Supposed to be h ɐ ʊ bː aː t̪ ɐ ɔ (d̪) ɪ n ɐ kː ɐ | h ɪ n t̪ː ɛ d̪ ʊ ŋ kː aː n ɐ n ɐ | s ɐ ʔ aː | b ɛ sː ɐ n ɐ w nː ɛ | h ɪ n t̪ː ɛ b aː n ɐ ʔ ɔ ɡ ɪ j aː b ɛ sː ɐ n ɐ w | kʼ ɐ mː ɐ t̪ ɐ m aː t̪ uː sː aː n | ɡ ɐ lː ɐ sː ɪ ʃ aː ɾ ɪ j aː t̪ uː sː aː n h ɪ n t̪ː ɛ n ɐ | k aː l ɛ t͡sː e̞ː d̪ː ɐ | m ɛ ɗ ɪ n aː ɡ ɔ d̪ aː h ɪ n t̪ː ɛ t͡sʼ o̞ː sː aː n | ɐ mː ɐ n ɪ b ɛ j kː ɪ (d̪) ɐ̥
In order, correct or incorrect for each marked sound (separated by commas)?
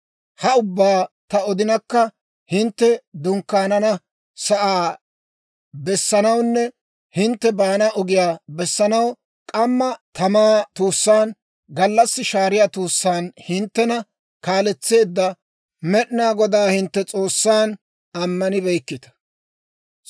correct, incorrect